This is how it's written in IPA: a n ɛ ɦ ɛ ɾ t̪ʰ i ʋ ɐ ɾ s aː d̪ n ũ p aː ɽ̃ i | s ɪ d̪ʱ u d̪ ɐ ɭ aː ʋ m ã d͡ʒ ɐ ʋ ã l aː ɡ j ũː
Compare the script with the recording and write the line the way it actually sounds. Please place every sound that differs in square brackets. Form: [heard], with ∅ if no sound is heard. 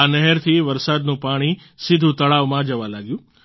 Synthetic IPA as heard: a n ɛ ɦ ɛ ɾ t̪ʰ i ʋ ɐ ɾ s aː d̪ n ũ p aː ɽ̃ i | s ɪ d̪ʱ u [t̪] ɐ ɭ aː ʋ m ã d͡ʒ ɐ ʋ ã l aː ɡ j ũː

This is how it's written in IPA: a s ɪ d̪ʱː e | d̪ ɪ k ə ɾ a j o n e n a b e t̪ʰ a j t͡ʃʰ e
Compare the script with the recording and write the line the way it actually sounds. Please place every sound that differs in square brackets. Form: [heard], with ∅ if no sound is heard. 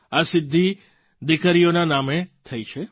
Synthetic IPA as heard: a s ɪ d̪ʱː [i] | d̪ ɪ k ə ɾ [i] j o n [a] n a [m] e t̪ʰ [ə] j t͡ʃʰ e

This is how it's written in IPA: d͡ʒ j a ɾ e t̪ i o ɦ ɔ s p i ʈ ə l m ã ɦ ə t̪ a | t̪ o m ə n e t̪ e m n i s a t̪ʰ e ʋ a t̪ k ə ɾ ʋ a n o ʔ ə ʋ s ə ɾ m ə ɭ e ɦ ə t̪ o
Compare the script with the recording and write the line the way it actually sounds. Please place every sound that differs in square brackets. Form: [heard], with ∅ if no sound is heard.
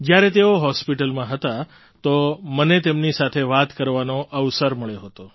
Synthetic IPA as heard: d͡ʒ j a ɾ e t̪ [e] o ɦ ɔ s p i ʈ ə l m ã ɦ ə t̪ a | t̪ o m ə n e t̪ e m n i s a t̪ʰ e ʋ a t̪ k ə ɾ ʋ a n o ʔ ə ʋ s ə ɾ m ə ɭ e ɦ ə t̪ o

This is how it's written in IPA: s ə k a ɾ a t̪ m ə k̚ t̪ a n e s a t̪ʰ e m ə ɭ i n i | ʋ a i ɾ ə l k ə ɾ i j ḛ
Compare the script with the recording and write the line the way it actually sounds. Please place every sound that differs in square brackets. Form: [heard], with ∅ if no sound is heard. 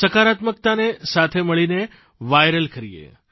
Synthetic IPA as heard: s ə k a ɾ a t̪ m ə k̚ t̪ a n e s a t̪ʰ e m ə ɭ i n [e] | ʋ a [j] ɾ ə l k ə ɾ i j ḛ

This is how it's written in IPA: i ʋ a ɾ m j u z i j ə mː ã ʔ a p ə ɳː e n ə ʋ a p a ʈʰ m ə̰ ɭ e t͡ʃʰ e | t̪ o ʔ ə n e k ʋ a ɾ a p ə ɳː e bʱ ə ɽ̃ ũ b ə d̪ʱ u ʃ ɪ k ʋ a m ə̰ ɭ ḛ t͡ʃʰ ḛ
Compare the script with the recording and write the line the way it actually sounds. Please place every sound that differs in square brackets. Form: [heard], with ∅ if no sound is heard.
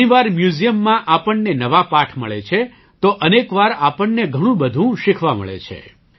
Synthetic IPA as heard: i ʋ a ɾ m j u z i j ə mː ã ʔ a p ə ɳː e n ə ʋ a p a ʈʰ m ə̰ ɭ e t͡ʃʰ e | t̪ o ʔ ə n e k ʋ a ɾ a p ə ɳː e [ɡʱ] ə ɽ̃ ũ b ə d̪ʱ [ũ] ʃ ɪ [kʰ] ʋ a m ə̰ ɭ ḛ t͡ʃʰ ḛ

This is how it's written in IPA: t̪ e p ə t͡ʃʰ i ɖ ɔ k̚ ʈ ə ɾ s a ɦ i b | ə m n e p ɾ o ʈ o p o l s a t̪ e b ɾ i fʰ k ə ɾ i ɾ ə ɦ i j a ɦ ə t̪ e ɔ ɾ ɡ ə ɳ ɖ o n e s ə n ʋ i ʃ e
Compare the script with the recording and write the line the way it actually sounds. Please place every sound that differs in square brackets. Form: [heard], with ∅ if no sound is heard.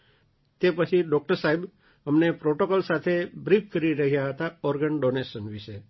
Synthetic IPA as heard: t̪ e p ə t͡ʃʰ i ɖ ɔ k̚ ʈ ə ɾ s a ɦ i b | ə m n e p ɾ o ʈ o [k] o l s a [t̪ʰ] e b ɾ i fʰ k ə ɾ i ɾ ə ɦ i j a ɦ ə t̪ [a] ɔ ɾ ɡ ə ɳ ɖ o n e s ə n ʋ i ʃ e

